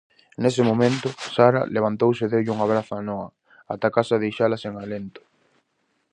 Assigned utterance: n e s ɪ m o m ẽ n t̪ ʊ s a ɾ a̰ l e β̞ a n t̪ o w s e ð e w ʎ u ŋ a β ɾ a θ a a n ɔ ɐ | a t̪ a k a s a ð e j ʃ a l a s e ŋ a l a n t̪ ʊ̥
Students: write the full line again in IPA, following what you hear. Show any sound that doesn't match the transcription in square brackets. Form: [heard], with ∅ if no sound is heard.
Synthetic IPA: n e s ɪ m o m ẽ n t̪ ʊ s a ɾ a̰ l e β̞ a n t̪ o w s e ð e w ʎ u ŋ a β ɾ a θ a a n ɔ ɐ | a t̪ a k a s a ð e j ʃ a l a s e ŋ a l [e] n t̪ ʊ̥